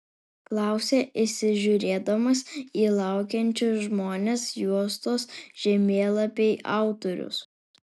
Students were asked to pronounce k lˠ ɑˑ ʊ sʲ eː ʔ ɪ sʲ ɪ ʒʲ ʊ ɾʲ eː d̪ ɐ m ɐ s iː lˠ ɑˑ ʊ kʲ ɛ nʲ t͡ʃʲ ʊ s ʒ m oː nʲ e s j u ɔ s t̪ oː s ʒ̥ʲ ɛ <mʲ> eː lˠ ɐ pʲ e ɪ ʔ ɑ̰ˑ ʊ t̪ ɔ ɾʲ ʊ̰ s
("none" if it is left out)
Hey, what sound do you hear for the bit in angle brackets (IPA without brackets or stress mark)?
mʲ